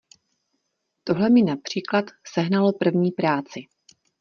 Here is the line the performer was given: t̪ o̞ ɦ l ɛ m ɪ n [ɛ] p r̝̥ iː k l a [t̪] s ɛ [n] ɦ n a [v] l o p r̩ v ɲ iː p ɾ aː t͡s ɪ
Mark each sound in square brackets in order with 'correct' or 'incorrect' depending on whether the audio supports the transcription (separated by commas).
incorrect, correct, incorrect, incorrect